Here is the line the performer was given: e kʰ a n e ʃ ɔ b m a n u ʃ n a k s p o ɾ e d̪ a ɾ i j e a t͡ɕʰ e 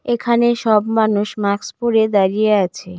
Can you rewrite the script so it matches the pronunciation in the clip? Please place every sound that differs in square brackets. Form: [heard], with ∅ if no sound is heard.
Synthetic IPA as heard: e kʰ a n e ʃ ɔ b m a n u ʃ [m] a k s p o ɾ e d̪ a ɾ i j e a t͡ɕʰ e